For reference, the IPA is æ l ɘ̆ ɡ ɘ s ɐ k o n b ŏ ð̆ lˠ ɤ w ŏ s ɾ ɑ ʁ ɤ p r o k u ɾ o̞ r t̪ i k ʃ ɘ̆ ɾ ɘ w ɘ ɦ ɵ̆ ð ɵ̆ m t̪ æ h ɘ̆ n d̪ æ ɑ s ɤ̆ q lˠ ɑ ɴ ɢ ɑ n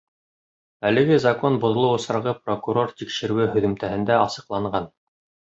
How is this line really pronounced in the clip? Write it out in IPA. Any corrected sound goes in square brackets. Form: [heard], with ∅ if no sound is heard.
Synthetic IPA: æ l ɘ̆ ɡ ɘ [z] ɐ k o n b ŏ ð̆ lˠ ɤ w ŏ s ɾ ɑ ʁ ɤ p r o k u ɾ o̞ r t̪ i k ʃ ɘ̆ ɾ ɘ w ɘ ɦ ɵ̆ ð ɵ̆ m t̪ æ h ɘ̆ n d̪ æ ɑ s ɤ̆ q lˠ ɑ ɴ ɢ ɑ n